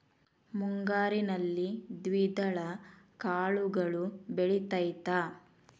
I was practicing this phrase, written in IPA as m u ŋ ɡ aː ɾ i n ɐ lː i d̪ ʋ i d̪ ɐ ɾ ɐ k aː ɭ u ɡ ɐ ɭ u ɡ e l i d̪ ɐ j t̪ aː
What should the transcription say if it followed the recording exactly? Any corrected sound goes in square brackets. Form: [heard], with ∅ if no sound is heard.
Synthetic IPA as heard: m u ŋ ɡ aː ɾ i n ɐ lː i d̪ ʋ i d̪ ɐ [ɭ] ɐ k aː ɭ u ɡ ɐ ɭ u [b] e [ɭ] i [t̪] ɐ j t̪ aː